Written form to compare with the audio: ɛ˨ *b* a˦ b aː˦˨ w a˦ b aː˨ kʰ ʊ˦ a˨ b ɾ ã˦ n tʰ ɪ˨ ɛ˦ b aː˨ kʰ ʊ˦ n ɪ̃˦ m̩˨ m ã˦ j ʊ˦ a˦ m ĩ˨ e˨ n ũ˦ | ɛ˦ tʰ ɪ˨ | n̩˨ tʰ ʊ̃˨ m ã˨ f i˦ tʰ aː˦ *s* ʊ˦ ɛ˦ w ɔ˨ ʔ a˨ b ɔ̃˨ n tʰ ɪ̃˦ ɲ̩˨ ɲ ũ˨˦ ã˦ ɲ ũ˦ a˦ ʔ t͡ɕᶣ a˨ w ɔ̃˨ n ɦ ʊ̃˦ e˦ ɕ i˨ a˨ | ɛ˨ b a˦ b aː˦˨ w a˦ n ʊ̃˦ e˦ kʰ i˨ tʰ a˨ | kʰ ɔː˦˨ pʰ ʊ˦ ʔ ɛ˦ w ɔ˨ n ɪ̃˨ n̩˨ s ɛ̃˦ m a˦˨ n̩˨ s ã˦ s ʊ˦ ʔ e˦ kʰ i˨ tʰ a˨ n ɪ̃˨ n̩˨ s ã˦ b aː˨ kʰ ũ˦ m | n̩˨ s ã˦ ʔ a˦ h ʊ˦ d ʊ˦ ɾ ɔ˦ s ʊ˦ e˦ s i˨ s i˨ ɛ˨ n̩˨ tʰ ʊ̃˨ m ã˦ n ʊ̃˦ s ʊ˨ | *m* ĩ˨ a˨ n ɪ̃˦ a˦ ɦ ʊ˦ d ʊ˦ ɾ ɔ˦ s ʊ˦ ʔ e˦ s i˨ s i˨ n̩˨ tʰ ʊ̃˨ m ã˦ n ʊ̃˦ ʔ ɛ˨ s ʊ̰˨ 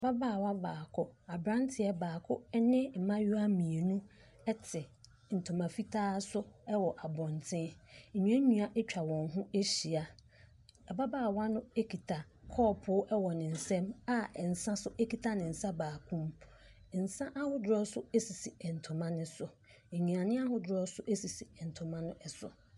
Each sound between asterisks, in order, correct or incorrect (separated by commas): correct, correct, incorrect